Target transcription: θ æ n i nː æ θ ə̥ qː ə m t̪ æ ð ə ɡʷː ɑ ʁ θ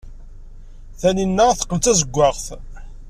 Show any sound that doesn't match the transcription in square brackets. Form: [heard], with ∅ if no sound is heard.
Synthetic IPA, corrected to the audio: θ æ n i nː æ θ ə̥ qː ə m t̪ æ [z] ə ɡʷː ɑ ʁ θ